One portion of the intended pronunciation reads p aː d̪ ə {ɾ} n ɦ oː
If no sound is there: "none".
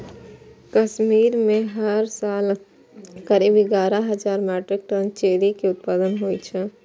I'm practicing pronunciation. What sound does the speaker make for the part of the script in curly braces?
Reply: none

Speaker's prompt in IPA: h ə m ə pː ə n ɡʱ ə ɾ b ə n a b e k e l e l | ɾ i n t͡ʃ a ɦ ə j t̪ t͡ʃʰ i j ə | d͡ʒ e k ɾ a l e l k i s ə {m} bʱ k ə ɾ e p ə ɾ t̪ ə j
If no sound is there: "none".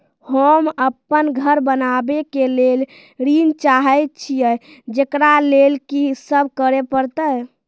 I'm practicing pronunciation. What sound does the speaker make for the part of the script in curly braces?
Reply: none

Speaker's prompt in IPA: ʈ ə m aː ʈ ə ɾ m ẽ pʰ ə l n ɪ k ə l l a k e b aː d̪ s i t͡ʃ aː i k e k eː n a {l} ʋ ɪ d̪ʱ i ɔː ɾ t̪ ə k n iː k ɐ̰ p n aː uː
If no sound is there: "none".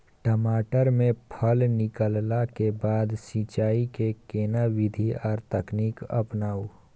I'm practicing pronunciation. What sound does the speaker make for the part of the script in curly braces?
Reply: none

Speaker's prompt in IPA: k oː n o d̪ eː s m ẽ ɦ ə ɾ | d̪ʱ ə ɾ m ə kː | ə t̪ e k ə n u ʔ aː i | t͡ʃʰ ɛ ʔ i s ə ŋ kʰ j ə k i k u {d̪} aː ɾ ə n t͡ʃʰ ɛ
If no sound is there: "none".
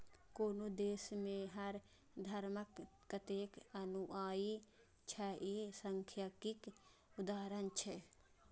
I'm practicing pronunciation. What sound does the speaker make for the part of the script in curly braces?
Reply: d̪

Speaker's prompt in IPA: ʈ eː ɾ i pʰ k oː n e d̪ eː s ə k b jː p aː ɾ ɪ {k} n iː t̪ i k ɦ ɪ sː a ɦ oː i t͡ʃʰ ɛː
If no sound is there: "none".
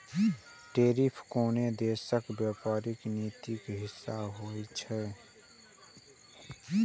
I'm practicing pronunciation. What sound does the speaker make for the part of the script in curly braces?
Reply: k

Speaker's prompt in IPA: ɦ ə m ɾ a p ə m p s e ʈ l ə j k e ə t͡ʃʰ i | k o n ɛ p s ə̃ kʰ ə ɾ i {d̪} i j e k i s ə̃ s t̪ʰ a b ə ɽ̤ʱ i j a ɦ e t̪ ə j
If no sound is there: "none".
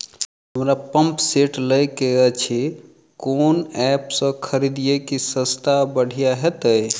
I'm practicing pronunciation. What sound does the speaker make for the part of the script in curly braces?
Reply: d̪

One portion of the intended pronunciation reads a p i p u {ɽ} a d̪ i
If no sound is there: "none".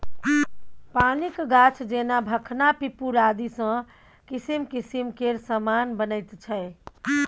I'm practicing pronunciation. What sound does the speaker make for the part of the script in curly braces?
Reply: ɾ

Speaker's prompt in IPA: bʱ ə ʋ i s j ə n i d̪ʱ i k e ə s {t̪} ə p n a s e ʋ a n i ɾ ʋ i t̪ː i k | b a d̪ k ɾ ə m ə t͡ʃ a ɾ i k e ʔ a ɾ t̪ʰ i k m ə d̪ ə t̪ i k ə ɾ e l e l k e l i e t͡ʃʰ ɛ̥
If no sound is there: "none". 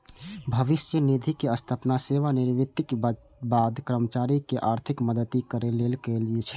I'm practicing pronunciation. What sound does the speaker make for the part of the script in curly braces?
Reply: t̪ʰ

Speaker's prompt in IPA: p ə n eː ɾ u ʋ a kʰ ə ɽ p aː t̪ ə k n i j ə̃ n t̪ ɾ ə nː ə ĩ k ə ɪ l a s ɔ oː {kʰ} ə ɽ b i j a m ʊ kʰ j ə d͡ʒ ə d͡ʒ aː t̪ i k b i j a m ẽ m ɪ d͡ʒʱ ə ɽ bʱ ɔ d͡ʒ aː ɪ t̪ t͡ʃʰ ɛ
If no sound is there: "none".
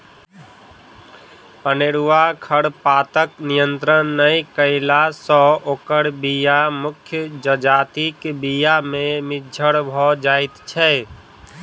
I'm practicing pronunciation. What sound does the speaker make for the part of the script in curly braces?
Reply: k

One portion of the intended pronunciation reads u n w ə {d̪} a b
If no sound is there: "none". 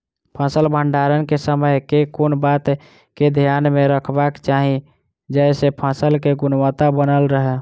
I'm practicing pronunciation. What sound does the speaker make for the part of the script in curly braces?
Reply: t̪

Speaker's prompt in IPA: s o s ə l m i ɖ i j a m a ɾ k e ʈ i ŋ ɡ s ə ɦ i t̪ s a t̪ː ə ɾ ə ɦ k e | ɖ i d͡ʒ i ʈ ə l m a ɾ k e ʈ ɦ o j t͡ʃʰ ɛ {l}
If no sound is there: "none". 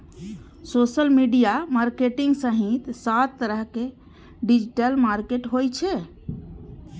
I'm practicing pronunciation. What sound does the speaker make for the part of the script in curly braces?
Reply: none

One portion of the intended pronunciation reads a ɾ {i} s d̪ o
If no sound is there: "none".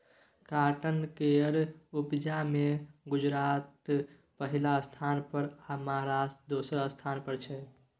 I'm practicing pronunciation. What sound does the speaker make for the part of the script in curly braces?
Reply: a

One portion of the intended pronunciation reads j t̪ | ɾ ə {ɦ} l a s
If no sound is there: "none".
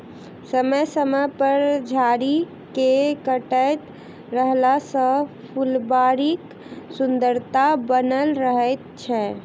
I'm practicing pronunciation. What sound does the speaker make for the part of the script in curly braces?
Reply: ɦ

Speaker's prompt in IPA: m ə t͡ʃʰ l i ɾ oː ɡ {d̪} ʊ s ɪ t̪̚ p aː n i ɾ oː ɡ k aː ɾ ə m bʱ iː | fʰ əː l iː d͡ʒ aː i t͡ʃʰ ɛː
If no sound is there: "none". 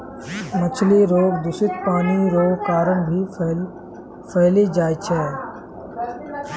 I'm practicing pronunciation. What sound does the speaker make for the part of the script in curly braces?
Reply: d̪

